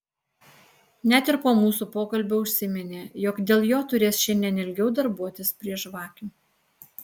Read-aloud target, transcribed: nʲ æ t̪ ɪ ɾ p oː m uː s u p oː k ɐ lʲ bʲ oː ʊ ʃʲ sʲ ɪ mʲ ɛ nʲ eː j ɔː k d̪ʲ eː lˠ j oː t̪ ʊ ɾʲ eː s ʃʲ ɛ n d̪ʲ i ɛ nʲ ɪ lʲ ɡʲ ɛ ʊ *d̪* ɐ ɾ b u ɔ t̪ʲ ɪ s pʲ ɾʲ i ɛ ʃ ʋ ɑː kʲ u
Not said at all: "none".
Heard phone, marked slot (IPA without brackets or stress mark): d̪